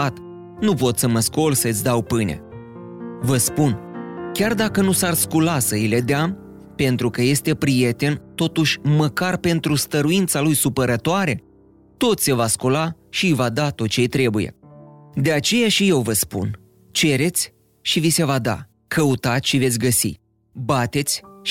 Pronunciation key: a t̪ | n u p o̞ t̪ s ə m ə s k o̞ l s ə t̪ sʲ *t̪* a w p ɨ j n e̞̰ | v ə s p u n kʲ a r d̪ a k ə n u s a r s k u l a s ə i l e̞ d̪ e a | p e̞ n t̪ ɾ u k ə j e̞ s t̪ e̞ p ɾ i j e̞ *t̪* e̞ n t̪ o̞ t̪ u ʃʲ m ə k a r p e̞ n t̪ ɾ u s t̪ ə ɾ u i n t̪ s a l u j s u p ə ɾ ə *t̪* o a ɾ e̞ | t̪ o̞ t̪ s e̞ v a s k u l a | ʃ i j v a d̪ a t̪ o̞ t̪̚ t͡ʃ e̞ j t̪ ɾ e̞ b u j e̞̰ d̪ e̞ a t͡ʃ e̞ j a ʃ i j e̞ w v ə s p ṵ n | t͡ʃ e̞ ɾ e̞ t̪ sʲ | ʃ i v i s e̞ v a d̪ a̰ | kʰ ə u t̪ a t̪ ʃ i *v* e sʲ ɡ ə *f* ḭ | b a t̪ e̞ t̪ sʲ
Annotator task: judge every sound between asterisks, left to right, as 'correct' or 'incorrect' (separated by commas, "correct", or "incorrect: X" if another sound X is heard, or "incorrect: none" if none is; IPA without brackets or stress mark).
incorrect: d̪, correct, correct, correct, incorrect: s